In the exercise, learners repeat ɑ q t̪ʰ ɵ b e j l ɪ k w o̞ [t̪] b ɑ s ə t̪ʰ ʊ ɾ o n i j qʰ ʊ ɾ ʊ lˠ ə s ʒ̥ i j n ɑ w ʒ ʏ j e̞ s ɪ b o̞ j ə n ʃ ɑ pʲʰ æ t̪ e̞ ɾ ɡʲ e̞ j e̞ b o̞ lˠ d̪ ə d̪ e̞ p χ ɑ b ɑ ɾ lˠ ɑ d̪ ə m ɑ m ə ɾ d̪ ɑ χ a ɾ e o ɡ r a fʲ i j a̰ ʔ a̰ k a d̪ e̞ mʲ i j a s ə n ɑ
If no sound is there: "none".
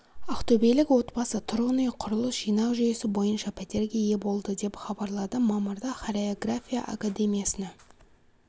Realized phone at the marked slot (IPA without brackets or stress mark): t̪